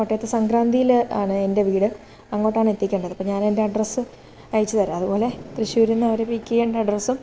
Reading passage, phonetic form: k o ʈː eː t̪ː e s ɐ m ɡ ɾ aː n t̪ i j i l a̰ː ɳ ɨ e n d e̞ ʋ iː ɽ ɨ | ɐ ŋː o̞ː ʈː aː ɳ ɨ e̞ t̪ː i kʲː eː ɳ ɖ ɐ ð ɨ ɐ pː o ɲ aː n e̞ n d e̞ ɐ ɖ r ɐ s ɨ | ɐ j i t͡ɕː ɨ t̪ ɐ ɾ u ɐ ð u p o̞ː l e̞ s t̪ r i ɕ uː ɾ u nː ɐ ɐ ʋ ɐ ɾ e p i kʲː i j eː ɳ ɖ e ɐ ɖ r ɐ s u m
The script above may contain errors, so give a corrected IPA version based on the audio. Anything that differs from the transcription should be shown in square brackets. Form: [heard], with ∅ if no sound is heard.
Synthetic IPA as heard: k o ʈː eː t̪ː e s ɐ [ŋ] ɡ ɾ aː n [d̪] i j i l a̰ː ɳ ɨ e n d e̞ ʋ iː ɽ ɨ | ɐ ŋː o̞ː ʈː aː ɳ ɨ e̞ t̪ː i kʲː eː ɳ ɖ ɐ ð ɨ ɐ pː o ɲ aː n e̞ n d e̞ ɐ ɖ r ɐ s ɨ | ɐ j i t͡ɕː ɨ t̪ ɐ ɾ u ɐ ð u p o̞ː l e̞ [∅] t̪ r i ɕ uː ɾ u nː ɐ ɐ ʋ ɐ ɾ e p i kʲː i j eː ɳ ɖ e ɐ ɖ r ɐ s u m